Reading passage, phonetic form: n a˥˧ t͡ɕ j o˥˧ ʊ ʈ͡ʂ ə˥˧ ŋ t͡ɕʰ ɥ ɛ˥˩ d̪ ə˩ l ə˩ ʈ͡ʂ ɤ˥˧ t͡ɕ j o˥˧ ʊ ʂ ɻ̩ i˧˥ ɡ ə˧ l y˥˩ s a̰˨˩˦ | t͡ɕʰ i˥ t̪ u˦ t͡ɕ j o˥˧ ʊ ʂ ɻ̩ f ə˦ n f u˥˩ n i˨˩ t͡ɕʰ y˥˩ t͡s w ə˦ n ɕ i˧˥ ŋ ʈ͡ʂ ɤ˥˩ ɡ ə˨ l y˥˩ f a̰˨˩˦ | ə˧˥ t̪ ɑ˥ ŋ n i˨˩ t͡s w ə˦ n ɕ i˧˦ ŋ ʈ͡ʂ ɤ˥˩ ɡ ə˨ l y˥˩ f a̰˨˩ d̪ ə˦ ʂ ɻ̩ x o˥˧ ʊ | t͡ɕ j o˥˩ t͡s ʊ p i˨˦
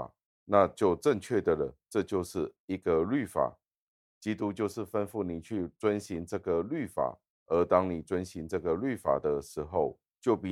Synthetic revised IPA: n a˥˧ t͡ɕ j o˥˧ ʊ ʈ͡ʂ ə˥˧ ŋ t͡ɕʰ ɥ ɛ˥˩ d̪ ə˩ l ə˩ ʈ͡ʂ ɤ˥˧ t͡ɕ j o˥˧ ʊ ʂ ɻ̩ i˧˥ ɡ ə˧ l y˥˩ f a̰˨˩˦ | t͡ɕ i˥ t̪ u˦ t͡ɕ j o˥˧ ʊ ʂ ɻ̩ f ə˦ n f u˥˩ n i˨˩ t͡ɕʰ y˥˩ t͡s w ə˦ n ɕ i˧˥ ŋ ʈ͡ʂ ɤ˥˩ ɡ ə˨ l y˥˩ f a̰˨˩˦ | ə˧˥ t̪ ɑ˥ ŋ n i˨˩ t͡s w ə˦ n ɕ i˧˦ ŋ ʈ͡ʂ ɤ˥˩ ɡ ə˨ l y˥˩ f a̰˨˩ d̪ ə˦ ʂ ɻ̩ x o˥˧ ʊ | t͡ɕ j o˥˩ ʊ p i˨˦